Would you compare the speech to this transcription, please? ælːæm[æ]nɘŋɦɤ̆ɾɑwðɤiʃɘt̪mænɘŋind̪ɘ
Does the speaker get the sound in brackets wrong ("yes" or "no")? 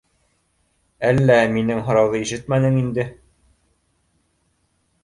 yes